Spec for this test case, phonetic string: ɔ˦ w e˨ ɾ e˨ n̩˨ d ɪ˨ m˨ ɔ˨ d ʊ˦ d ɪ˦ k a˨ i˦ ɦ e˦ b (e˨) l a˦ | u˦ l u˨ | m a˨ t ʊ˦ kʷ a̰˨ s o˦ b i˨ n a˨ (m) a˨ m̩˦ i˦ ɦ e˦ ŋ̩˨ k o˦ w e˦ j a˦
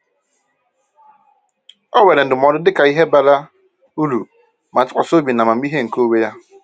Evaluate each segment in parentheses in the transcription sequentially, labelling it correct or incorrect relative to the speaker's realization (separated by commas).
incorrect, correct